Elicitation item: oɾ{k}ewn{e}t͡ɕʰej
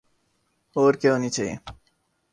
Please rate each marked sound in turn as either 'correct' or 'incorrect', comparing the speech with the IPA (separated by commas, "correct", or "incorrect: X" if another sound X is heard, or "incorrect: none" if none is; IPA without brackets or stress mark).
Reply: correct, incorrect: i